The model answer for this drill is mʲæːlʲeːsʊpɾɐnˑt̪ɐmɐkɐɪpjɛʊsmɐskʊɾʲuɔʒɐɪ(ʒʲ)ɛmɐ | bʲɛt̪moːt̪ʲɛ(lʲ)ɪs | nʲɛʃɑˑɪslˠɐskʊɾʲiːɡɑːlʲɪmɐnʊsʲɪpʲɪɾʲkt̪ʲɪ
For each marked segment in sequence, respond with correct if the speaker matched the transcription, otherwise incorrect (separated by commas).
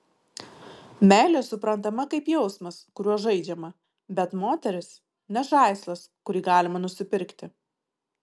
incorrect, incorrect